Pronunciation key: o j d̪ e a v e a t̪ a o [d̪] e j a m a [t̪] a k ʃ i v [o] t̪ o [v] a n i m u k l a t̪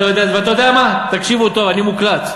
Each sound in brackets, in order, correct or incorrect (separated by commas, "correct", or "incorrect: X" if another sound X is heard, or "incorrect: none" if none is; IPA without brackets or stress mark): correct, correct, incorrect: u, correct